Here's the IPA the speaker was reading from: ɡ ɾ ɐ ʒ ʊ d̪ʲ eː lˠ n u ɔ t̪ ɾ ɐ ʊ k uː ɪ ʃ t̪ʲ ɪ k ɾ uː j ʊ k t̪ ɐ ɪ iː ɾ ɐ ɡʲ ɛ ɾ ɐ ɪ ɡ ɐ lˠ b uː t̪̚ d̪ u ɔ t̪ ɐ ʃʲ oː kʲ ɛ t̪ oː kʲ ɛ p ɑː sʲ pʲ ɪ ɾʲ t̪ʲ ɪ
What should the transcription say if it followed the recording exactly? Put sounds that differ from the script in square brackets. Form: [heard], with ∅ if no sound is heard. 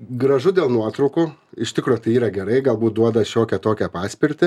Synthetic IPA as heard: ɡ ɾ ɐ ʒ ʊ d̪ʲ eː lˠ n u ɔ t̪ ɾ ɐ ʊ k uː ɪ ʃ t̪ʲ ɪ k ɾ uː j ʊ [∅] t̪ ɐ ɪ iː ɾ ɐ ɡʲ ɛ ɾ ɐ ɪ ɡ ɐ lˠ b uː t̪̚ d̪ u ɔ [d̪] ɐ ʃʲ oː kʲ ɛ t̪ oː kʲ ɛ p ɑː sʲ pʲ ɪ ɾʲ t̪ʲ ɪ

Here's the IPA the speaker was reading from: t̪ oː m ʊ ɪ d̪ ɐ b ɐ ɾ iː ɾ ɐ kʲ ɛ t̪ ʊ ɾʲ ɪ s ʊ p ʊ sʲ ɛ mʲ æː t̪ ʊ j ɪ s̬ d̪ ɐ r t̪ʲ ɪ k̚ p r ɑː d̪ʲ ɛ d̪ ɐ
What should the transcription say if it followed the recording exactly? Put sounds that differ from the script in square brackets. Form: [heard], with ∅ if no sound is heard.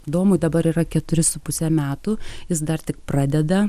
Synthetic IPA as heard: [d̪] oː m ʊ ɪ d̪ ɐ b ɐ ɾ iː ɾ ɐ kʲ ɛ t̪ ʊ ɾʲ ɪ s ʊ p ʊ sʲ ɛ mʲ æː t̪ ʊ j ɪ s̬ d̪ ɐ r t̪ʲ ɪ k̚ p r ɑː d̪ʲ ɛ d̪ ɐ

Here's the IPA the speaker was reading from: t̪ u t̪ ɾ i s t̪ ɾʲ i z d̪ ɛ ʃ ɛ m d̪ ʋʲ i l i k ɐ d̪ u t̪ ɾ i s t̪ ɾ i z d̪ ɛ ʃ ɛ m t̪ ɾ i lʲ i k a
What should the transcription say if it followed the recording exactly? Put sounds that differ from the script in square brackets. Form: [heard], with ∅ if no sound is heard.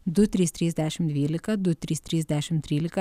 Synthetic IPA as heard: [d̪] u t̪ ɾ i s t̪ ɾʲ i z d̪ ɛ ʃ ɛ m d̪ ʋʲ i l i k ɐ d̪ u t̪ ɾ i s t̪ ɾ i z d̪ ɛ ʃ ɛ m t̪ ɾ i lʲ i k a

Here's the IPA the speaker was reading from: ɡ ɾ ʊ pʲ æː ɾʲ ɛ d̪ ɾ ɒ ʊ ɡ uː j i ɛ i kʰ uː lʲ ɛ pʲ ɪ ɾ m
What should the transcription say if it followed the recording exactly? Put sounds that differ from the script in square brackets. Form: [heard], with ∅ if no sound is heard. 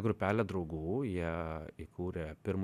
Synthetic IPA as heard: ɡ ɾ ʊ pʲ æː [lʲ] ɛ d̪ ɾ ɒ ʊ ɡ uː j i ɛ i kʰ uː [ɾʲ] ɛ pʲ ɪ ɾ m

